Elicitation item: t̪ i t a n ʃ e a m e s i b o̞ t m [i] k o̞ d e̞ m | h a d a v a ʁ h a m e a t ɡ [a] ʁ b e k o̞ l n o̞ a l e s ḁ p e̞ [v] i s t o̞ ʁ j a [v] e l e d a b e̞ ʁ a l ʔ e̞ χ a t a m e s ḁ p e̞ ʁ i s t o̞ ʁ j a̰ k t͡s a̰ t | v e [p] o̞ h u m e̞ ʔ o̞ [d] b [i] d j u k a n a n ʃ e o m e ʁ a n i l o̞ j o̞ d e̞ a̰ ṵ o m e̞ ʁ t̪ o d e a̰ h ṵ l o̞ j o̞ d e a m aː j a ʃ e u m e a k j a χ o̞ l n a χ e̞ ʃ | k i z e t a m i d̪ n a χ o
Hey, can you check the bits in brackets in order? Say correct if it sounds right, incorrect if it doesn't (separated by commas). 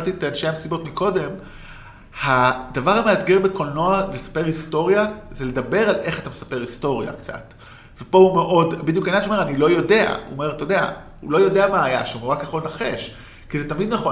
correct, incorrect, incorrect, incorrect, correct, correct, correct